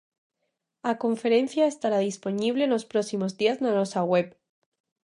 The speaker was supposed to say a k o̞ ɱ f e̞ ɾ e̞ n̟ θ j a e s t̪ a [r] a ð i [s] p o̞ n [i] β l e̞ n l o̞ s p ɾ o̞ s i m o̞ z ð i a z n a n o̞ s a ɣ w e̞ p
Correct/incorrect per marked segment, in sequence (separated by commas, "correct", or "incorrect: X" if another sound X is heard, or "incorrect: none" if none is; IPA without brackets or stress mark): incorrect: ɾ, correct, correct